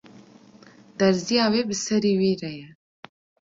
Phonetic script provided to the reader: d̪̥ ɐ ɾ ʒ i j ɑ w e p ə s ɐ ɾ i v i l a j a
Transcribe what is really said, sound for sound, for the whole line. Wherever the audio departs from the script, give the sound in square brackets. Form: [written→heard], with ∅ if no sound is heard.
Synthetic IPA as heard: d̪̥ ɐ ɾ [ʒ→z] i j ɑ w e [p→b] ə s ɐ ɾ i [v→w] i [l→ɾ] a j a